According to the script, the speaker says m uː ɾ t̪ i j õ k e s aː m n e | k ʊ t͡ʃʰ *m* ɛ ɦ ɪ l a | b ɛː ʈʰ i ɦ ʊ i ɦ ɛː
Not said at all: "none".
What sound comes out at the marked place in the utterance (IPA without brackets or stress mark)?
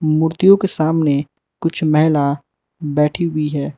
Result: m